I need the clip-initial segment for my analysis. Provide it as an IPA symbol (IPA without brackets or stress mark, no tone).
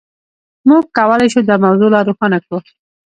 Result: m